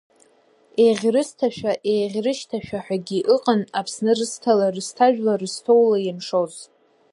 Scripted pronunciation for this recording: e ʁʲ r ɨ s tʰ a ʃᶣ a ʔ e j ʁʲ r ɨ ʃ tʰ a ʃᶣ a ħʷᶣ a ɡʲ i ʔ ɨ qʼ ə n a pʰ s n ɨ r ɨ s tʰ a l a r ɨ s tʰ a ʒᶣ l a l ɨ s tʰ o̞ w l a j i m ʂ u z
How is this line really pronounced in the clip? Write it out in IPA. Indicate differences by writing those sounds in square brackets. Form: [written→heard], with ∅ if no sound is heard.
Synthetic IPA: e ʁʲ r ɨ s tʰ a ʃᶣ a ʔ e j ʁʲ r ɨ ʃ tʰ a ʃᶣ a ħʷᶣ a ɡʲ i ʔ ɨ qʼ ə n a pʰ s n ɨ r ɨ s tʰ a l a r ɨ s tʰ a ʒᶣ l a [l→r] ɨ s tʰ o̞ w l a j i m ʂ [u→o] z